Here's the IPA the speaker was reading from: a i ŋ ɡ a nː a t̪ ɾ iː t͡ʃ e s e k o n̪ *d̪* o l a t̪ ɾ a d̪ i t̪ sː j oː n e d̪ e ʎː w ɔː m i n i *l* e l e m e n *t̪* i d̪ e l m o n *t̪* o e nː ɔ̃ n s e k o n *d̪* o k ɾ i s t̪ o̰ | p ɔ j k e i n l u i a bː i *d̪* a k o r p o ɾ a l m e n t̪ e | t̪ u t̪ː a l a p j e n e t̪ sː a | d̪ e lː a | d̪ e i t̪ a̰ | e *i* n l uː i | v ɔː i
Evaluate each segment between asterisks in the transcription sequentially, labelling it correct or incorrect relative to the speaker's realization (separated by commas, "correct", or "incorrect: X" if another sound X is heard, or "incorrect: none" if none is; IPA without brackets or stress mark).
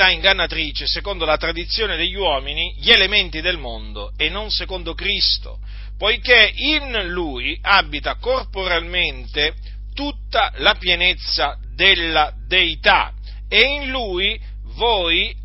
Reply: correct, incorrect: ʎ, correct, incorrect: d̪, correct, incorrect: t̪, correct